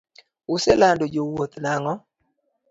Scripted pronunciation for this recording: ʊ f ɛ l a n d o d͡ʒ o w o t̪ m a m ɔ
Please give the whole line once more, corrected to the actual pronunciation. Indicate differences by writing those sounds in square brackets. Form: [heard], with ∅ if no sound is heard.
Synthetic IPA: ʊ [s] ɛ l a n d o d͡ʒ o w o t̪ [n] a [ŋ] ɔ